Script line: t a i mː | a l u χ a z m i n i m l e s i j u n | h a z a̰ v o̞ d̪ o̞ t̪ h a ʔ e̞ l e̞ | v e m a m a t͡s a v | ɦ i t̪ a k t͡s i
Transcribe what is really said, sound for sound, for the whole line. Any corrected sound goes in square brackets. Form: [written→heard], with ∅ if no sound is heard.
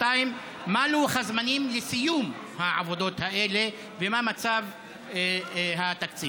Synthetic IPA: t a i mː | a l u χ a z m [i→a] n i m l e s i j u [n→m] | h a [z→ʕ] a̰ v o̞ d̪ o̞ t̪ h a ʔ e̞ l e̞ | v e m a m a t͡s a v | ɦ [i→a] t̪ a k t͡s i

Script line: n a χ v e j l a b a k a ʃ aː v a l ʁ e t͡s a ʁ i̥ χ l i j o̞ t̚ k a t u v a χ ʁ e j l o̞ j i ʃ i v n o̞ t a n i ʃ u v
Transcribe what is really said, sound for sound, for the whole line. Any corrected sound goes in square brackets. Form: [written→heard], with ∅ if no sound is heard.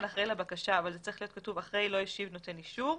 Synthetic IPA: n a χ [v→ʁ] e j l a b a k a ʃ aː v a l [ʁ→z] e t͡s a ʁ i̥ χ l i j o̞ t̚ k a t u v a χ ʁ e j l o̞ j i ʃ i v n o̞ t [a→e] n i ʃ u [v→ʁ]

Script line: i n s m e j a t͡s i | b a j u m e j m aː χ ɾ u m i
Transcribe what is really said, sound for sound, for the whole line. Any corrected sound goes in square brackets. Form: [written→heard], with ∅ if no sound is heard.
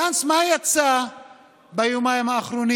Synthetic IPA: [i→a] n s m [e→a] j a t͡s [i→a] | b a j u m [e→a] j m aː χ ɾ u [m→n] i

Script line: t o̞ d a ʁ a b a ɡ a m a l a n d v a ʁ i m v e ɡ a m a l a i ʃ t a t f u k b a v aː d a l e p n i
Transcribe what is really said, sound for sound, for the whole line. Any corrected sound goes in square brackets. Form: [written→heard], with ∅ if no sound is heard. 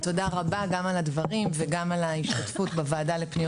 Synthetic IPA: t o̞ d a ʁ a b a ɡ a m a l a [n→∅] d v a ʁ i m v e ɡ a m a l a i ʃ t a t f u [k→t] b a v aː d a l e p n i

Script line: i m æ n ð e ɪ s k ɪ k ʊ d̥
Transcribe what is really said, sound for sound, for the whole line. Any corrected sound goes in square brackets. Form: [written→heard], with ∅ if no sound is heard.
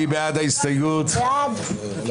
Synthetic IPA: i [m→b] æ [n→d] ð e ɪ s [k→t] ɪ [k→ɡ] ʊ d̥

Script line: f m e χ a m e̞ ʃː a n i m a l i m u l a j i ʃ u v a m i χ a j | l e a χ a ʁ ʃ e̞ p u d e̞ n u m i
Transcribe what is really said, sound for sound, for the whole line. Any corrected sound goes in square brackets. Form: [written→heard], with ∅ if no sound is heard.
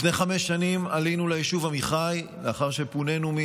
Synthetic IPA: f [m→n] e χ a m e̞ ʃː a n i m a l i [m→n] u l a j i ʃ u v a m i χ a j | l e a χ a ʁ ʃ e̞ p u [d→n] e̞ n u m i

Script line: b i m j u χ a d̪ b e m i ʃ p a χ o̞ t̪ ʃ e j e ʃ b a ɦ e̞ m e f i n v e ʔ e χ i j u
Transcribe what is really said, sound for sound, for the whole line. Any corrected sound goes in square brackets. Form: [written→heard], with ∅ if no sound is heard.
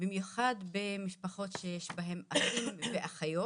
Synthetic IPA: b i m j u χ a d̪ b e m i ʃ p a χ o̞ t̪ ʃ e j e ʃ b a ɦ e̞ m [e→a] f i [n→m] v e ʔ [e→a] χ [i→a] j [u→o]

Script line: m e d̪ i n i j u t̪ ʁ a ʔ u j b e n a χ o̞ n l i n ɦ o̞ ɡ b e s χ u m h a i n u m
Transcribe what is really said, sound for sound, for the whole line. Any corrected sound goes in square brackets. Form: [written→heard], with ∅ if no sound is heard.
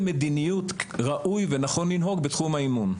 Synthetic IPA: m e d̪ i n i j u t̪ ʁ a ʔ u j [b→v] e n a χ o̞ n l i n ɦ o̞ ɡ b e [s→t] χ u m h a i [n→m] u [m→n]

